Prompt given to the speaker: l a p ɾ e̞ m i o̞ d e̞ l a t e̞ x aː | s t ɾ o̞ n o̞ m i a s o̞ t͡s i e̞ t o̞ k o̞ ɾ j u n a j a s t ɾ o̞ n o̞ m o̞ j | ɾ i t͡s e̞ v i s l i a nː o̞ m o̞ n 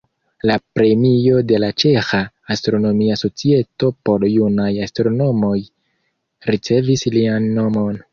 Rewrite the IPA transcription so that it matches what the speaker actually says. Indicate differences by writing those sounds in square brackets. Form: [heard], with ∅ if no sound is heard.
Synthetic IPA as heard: l a p ɾ e̞ m i o̞ d e̞ l a [t͡ʃ] e̞ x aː | s t ɾ o̞ n o̞ m i a s o̞ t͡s i e̞ t o̞ [p] o̞ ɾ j u n a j a s t ɾ o̞ n o̞ m o̞ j | ɾ i t͡s e̞ v i s l i a nː o̞ m o̞ n